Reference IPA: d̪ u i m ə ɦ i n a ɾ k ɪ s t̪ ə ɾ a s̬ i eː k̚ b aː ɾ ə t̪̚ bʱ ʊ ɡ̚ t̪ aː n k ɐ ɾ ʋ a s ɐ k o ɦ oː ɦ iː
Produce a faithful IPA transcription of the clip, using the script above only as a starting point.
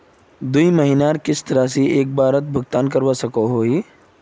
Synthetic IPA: d̪ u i m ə ɦ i n a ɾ k ɪ s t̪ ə ɾ a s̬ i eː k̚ b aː ɾ ə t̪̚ bʱ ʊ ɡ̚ t̪ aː n k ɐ ɾ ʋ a s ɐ k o ɦ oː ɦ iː